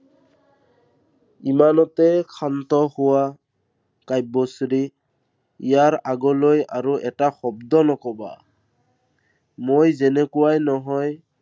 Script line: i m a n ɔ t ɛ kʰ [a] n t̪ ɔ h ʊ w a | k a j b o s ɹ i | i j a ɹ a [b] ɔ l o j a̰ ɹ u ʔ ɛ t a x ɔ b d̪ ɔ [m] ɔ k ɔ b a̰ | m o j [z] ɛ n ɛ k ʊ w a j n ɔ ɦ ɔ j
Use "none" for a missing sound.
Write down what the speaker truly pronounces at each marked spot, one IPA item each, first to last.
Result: a, ɡ, n, z

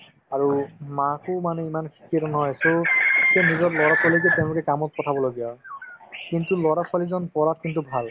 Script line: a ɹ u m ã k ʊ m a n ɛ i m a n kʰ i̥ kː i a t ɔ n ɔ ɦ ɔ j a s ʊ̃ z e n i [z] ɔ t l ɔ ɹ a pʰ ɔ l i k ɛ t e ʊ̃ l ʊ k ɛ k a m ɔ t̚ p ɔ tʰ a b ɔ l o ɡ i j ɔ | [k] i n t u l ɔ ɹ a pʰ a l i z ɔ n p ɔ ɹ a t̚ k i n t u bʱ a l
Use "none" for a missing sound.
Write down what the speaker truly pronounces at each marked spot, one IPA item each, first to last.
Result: z, k

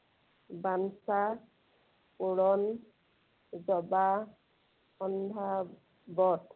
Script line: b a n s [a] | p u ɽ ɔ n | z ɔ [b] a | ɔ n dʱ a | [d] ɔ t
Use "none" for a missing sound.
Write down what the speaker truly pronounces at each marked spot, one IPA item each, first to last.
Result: a, b, b

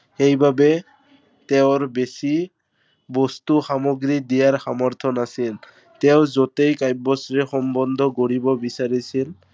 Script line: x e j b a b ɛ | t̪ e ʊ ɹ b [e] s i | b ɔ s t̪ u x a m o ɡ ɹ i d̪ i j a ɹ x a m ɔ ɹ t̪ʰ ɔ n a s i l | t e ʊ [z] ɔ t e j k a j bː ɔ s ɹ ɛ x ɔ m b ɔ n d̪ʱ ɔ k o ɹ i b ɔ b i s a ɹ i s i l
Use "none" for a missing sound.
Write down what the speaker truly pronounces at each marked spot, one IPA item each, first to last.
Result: e, z

